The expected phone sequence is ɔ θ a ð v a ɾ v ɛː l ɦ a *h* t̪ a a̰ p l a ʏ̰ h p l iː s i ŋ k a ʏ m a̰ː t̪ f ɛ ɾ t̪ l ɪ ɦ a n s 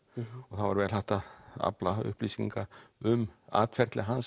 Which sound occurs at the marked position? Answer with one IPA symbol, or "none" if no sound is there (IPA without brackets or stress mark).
h